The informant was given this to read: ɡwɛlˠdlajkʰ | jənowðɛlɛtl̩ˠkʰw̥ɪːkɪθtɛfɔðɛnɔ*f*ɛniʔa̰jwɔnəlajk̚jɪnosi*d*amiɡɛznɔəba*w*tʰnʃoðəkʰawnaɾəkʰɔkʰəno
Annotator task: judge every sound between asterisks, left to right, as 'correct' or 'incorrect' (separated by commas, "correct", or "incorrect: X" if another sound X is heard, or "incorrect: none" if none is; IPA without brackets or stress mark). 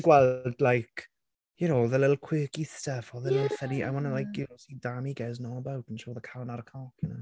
correct, correct, correct